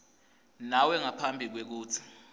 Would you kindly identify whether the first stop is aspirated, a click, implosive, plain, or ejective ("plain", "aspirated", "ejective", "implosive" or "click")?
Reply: aspirated